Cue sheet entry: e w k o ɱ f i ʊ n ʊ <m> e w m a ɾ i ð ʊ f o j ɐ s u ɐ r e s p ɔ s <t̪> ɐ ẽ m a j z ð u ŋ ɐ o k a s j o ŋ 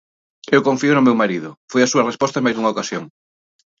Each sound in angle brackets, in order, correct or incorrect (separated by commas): correct, correct